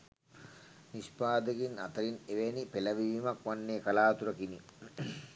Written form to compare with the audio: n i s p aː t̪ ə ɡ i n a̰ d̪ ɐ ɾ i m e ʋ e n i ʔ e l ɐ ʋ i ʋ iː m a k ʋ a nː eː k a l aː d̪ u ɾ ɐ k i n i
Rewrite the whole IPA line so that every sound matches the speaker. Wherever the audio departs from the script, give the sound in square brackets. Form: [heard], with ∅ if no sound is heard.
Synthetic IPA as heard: n i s p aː [d̪] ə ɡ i n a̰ [t̪] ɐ ɾ i [n] e ʋ e n i [p] e l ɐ ʋ i ʋ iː m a k ʋ a nː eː k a l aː [t̪] u ɾ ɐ k i n i